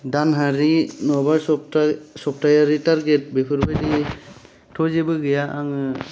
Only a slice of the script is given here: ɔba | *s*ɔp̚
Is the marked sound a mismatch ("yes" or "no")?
no